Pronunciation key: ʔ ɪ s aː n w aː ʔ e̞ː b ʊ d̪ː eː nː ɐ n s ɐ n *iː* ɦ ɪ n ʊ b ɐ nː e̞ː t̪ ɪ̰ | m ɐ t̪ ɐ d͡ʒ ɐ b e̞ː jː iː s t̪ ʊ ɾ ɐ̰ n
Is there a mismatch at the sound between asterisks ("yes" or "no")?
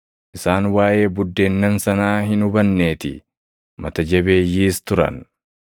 yes